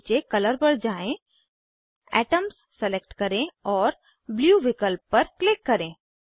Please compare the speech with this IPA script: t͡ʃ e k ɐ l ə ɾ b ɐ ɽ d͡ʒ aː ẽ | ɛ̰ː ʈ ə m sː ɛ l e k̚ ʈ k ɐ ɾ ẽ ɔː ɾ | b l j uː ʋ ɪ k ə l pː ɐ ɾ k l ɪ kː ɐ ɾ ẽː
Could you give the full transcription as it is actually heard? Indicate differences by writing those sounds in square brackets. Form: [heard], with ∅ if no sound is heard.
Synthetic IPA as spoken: t͡ʃ e k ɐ l ə ɾ b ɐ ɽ d͡ʒ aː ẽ | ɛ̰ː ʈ ə m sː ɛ l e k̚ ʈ k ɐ ɾ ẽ ɔː ɾ | b l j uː ʋ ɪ k ə l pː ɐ ɾ k l ɪ kː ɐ ɾ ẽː